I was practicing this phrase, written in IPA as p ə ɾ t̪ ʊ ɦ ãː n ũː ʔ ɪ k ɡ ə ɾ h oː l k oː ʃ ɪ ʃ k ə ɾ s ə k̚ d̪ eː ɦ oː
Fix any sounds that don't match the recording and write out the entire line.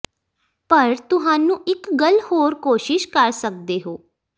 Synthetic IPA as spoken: p ə ɾ t̪ ʊ ɦ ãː n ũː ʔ ɪ k ɡ ə l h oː ɾ k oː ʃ ɪ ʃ k ə ɾ s ə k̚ d̪ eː ɦ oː

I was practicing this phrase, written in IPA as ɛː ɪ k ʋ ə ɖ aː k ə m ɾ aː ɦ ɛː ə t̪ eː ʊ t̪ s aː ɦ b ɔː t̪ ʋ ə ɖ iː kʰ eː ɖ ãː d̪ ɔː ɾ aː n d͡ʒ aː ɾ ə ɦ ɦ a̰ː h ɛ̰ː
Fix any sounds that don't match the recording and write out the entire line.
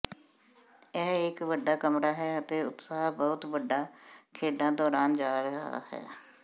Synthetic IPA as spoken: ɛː ɪ k ʋ ə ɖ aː k ə m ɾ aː ɦ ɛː ə t̪ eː ʊ t̪ s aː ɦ b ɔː t̪ ʋ ə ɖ aː kʰ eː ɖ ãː d̪ ɔː ɾ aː n d͡ʒ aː ɾ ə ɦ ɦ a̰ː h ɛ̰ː

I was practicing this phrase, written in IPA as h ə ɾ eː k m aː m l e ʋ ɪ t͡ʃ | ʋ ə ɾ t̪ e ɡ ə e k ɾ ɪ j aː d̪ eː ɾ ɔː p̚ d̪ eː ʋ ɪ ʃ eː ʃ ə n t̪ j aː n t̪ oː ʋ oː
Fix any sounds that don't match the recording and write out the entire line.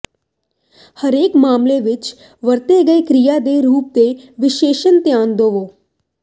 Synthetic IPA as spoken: h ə ɾ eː k m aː m l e ʋ ɪ t͡ʃ | ʋ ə ɾ t̪ e ɡ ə e k ɾ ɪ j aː d̪ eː ɾ uː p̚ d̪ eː ʋ ɪ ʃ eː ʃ ə n t̪ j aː n d̪ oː ʋ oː

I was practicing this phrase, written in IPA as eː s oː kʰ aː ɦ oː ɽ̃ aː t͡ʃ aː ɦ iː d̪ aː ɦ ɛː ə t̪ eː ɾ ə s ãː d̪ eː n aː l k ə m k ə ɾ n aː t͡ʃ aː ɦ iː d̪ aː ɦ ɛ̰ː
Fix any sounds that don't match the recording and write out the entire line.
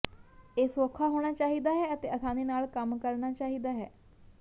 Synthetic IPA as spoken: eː s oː kʰ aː ɦ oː ɽ̃ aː t͡ʃ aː ɦ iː d̪ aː ɦ ɛː ə t̪ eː ə s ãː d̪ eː n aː l k ə m k ə ɾ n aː t͡ʃ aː ɦ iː d̪ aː ɦ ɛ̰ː

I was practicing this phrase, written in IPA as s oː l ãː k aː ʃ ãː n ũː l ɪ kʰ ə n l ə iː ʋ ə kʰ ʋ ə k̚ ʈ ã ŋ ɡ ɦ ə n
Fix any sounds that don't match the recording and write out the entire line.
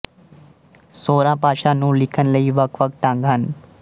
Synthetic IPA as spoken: s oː ɾ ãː p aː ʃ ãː n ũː l ɪ kʰ ə n l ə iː ʋ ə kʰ ʋ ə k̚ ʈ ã ŋ ɡ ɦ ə n

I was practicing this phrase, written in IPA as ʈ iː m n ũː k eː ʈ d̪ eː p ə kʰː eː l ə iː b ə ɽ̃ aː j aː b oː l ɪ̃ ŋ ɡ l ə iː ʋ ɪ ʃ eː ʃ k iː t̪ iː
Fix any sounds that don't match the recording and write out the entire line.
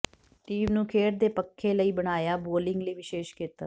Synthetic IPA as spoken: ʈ iː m n ũː kʰ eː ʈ d̪ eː p ə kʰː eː l ə iː b ə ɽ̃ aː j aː b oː l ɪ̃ ŋ ɡ l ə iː ʋ ɪ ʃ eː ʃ k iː t̪ aː

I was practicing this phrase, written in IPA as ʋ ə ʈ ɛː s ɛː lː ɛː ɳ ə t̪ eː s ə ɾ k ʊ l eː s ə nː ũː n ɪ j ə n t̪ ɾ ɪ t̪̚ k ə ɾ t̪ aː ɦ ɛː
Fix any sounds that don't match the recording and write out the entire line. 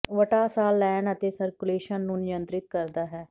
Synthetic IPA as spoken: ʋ ə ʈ aː s aː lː ɛː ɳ ə t̪ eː s ə ɾ k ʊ l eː ʃ ə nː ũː n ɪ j ə n t̪ ɾ ɪ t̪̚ k ə ɾ d̪ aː ɦ ɛː

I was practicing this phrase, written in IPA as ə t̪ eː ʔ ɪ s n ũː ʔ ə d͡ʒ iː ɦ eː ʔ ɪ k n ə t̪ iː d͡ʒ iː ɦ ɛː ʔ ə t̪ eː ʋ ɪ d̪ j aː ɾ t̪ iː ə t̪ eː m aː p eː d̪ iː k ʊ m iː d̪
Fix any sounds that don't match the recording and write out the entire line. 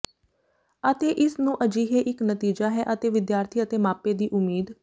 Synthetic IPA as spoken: ə t̪ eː ʔ ɪ s n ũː ʔ ə d͡ʒ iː ɦ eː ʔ ɪ k n ə t̪ iː d͡ʒ aː ɦ ɛː ʔ ə t̪ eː ʋ ɪ d̪ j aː ɾ t̪ʰ iː ə t̪ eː m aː p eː d̪ iː ʔ ʊ m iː d̪

